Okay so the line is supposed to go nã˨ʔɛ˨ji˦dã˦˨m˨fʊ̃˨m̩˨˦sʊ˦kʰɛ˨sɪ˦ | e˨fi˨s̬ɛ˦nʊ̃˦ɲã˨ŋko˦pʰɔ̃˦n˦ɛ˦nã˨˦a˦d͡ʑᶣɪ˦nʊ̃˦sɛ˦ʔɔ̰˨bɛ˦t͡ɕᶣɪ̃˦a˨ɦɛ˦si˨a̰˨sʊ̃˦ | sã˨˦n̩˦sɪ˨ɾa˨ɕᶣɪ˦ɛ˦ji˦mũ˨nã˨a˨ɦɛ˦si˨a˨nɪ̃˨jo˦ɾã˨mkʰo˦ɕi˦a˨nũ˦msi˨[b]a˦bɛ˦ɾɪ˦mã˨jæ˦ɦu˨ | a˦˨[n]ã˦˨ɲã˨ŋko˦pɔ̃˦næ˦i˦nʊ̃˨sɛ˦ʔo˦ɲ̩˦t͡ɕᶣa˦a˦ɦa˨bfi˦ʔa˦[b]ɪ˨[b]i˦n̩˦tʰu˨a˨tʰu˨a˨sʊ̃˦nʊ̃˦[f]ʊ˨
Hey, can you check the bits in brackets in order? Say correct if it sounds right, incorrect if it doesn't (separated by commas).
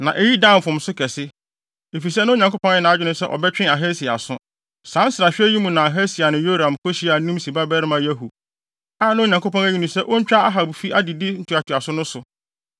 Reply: correct, correct, incorrect, incorrect, incorrect